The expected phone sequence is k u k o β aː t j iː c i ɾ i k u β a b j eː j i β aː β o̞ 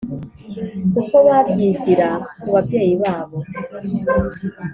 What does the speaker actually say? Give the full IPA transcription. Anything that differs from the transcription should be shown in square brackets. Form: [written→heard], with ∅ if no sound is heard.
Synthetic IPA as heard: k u k o β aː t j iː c i ɾ [i→a] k u β a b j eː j i β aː β o̞

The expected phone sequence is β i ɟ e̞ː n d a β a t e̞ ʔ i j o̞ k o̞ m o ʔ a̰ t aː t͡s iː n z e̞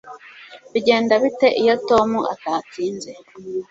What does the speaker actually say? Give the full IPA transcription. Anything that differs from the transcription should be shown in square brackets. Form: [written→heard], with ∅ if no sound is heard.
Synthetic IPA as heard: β i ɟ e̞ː n d a β [a→i] t e̞ ʔ i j o̞ [k→t] o̞ m [o→u] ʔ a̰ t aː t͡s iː n z e̞

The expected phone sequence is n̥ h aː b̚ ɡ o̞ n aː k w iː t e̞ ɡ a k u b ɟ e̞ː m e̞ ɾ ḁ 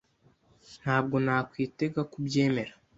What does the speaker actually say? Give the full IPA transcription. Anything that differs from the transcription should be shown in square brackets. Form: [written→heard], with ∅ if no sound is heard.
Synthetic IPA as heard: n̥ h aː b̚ ɡ o̞ n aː k w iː t e̞ ɡ a k u b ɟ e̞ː m e̞ ɾ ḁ

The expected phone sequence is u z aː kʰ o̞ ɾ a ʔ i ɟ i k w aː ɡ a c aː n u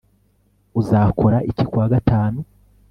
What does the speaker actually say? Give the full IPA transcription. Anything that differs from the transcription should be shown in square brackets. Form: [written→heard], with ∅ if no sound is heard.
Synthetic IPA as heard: u z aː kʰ o̞ ɾ a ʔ i [ɟ→c] i k w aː ɡ a [c→t] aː n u

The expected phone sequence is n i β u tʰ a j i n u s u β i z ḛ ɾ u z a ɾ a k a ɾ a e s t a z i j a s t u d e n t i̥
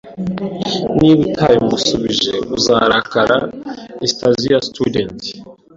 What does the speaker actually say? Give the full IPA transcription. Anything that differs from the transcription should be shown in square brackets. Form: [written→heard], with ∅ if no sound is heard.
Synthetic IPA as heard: n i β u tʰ a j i [n→m] u s u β i [z→ʒ] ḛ [ɾ→∅] u z a ɾ a k a ɾ a e s t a z i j a s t u d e n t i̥

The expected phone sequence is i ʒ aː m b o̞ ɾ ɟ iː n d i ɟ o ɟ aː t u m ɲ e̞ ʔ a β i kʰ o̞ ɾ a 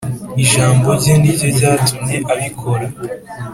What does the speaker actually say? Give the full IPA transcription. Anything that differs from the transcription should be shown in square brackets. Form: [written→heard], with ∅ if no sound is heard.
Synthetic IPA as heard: i ʒ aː m b o̞ ɾ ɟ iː n d i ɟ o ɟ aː t u m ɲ e̞ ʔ a β i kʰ o̞ ɾ a

